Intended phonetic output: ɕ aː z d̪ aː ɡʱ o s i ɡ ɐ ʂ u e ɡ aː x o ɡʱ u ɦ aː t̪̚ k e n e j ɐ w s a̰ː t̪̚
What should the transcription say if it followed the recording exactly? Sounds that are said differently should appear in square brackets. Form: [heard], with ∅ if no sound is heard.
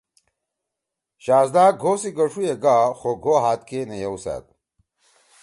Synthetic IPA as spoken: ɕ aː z d̪ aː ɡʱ o s i ɡ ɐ ʂ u e ɡ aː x o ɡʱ [o] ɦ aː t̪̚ k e n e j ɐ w s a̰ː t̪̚